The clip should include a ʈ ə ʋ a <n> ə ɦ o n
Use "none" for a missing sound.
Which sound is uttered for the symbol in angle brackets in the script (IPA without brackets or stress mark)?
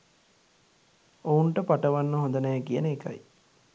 nː